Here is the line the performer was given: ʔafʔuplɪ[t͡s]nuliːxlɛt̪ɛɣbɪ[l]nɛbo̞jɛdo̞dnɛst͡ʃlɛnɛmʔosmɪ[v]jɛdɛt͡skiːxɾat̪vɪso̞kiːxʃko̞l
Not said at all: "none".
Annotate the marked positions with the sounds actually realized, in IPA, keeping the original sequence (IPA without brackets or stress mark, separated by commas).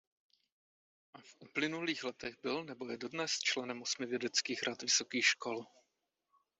none, l, v